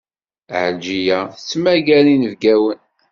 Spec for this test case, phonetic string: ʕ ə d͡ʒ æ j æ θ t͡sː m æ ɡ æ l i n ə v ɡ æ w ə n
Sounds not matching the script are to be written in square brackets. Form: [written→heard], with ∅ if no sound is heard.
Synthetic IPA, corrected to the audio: ʕ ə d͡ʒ [æ→i] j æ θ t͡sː m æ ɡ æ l i n ə v ɡ æ w ə n